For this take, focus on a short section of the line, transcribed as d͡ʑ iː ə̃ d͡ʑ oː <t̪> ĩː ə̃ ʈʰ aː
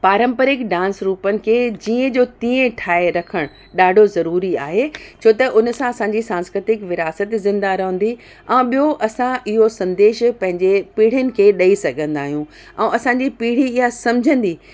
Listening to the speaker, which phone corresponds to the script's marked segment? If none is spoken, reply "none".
t̪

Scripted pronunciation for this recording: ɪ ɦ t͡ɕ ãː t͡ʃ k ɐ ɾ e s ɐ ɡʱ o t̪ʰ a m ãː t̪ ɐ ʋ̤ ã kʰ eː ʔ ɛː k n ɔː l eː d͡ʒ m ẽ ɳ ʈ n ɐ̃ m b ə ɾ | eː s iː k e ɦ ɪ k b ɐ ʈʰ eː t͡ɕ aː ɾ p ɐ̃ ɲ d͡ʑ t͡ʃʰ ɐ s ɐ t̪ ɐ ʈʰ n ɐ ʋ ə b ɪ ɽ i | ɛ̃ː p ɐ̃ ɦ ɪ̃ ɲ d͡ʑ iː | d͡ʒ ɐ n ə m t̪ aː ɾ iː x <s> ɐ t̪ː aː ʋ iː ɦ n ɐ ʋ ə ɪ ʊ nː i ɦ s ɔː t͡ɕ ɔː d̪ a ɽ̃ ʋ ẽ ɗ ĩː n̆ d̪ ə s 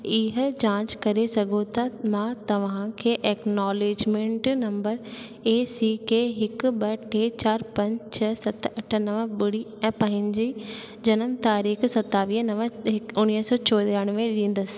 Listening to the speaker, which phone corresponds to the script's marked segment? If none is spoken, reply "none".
s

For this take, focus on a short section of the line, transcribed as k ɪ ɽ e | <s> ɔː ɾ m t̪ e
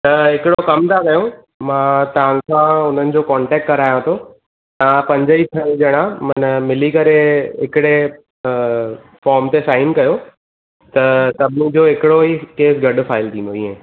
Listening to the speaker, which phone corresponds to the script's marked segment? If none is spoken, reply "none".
f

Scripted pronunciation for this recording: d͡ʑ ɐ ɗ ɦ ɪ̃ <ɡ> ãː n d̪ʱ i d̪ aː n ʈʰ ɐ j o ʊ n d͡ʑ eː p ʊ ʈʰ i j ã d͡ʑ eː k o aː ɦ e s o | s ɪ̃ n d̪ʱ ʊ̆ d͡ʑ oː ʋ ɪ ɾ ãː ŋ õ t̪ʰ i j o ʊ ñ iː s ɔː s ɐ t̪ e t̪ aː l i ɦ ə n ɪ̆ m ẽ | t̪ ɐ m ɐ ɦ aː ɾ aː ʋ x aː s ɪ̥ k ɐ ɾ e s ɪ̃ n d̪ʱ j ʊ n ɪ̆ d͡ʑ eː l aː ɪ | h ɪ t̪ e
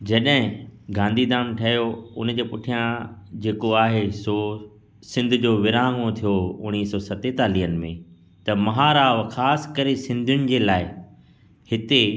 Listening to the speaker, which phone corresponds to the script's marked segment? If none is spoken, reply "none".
ɡ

